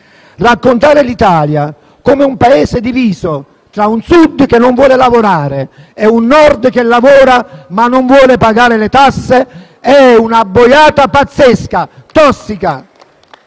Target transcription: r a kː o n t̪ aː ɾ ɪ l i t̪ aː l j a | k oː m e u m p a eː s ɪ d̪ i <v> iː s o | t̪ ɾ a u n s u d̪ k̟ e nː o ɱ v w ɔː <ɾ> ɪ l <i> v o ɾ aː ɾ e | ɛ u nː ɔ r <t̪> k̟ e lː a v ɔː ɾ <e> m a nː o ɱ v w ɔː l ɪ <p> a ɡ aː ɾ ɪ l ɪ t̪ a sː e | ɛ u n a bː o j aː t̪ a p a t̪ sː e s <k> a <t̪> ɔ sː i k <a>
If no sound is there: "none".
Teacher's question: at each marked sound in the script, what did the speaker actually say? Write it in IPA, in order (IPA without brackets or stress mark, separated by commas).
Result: v, l, a, d̪, a, p, k, t̪, a